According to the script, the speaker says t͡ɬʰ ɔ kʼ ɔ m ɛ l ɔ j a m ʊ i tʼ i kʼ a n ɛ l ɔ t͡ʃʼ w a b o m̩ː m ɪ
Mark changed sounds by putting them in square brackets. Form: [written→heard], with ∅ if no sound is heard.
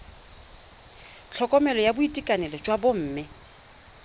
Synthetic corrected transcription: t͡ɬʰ ɔ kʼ ɔ m ɛ l ɔ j a [m→b] ʊ i tʼ i kʼ a n ɛ l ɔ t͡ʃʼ w a b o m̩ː m ɪ